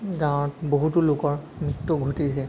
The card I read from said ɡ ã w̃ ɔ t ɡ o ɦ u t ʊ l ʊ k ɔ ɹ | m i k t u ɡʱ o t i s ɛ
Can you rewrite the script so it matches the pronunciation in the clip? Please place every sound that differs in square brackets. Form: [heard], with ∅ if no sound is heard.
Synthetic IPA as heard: ɡ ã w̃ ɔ t [b] o ɦ u t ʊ l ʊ k ɔ ɹ | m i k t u ɡʱ o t i s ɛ